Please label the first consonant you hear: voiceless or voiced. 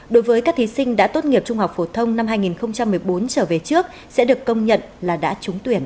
voiced